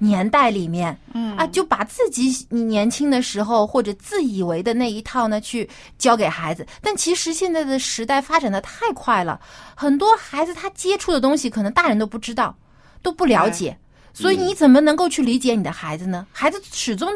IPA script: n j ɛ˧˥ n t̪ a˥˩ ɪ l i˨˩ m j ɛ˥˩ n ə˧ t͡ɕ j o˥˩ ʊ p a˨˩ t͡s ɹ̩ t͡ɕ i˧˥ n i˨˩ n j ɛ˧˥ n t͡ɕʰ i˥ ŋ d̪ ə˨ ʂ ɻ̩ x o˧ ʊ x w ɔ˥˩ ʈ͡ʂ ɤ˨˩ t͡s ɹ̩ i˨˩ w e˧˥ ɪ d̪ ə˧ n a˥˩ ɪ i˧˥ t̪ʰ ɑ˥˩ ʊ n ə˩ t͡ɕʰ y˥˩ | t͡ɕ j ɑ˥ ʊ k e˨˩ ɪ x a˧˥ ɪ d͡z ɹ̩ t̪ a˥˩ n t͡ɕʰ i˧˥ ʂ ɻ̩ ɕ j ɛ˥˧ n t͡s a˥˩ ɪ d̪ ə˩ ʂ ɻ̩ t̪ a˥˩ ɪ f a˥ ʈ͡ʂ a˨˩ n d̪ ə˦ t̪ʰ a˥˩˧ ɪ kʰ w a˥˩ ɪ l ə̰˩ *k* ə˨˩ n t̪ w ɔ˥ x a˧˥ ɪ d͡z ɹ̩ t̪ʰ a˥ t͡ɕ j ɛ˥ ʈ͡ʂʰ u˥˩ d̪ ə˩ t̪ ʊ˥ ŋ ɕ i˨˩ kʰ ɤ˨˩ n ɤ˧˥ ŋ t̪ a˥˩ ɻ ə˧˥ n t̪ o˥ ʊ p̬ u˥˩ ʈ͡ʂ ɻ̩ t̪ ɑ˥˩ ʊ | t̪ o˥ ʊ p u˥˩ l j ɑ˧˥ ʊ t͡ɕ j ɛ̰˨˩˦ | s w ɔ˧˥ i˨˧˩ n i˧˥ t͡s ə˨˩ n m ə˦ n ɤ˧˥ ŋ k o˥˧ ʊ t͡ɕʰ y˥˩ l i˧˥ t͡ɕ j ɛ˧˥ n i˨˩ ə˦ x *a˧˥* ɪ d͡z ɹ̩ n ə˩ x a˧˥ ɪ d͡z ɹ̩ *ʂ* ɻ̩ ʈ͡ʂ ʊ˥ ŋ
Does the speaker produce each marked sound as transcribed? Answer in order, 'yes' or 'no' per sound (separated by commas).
no, yes, yes